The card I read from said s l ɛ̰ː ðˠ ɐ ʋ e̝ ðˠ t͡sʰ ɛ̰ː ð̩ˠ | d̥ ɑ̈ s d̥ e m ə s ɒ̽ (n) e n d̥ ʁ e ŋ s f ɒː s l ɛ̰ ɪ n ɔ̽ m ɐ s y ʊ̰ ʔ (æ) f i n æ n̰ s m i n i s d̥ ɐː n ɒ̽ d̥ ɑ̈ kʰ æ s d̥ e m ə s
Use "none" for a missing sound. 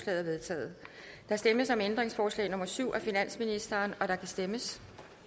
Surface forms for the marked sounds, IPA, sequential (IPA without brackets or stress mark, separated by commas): m, æ